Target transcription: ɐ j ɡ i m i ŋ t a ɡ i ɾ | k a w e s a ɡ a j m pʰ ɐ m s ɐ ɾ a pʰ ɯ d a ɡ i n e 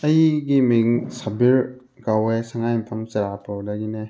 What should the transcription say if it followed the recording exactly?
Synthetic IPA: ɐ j ɡ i m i ŋ s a b i ɾ | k a w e s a ŋ a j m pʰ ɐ m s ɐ ɾ a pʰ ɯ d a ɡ i n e